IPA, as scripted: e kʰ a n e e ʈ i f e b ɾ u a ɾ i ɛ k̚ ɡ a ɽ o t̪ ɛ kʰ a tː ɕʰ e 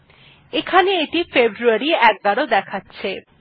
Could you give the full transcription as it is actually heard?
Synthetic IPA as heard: e kʰ a n e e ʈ i f e b ɾ u a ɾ i ɛ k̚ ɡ a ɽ o d̪ ɛ kʰ a tː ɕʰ e